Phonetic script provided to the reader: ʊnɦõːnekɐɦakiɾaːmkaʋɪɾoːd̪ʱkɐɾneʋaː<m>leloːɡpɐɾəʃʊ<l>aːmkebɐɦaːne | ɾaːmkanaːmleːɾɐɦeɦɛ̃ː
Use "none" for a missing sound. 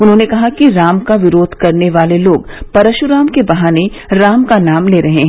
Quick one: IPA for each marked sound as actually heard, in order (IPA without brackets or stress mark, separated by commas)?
none, ɾ